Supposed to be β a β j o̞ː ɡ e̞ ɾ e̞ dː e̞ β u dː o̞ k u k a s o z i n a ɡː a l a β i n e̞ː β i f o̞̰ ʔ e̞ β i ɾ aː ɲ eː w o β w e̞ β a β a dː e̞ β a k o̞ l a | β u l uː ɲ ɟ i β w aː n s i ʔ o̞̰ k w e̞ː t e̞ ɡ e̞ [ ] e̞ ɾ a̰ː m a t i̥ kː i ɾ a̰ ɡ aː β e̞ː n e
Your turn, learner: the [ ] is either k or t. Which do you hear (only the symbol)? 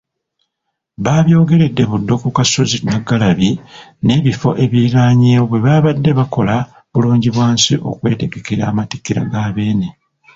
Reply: k